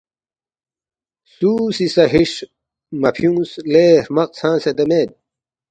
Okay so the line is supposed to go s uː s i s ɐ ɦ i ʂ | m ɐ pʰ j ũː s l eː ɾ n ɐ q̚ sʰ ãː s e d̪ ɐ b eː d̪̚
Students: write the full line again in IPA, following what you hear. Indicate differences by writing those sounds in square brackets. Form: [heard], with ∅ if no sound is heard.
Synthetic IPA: s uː s i s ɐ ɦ i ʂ | m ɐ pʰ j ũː s l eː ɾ [m] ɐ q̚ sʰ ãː s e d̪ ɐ [m] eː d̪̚